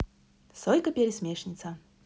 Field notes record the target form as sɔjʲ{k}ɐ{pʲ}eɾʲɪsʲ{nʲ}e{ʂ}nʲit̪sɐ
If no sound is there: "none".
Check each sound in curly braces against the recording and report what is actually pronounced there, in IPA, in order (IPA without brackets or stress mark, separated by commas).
k, pʲ, mʲ, ʂ